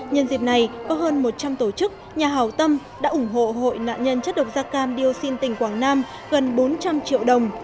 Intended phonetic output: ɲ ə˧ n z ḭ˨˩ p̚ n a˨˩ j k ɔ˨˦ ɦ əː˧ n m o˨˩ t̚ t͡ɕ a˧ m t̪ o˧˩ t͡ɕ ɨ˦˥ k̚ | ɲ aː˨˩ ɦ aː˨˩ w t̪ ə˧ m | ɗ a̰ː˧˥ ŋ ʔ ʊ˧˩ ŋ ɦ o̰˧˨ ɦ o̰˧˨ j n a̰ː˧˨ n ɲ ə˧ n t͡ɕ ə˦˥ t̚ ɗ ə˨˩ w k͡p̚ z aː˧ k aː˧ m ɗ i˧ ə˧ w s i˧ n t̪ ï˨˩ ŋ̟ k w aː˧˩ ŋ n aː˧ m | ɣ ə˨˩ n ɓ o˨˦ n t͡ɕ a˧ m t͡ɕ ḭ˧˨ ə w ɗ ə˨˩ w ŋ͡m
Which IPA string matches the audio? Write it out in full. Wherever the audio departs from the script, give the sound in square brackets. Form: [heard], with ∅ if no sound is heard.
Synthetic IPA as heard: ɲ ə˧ n z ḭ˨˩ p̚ n a˨˩ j k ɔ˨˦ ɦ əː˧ n m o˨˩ t̚ t͡ɕ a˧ m t̪ o˧˩ t͡ɕ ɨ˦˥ k̚ | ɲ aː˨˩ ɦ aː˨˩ w t̪ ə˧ m | ɗ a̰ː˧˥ [∅] ʔ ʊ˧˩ [ŋ͡m] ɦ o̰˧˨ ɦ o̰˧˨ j n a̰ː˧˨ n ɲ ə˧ n t͡ɕ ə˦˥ t̚ ɗ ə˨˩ w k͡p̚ z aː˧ k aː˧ m ɗ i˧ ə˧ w s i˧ n t̪ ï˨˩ ŋ̟ k w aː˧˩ ŋ n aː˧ m | ɣ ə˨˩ n ɓ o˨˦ n t͡ɕ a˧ m t͡ɕ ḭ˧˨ ə w ɗ ə˨˩ w ŋ͡m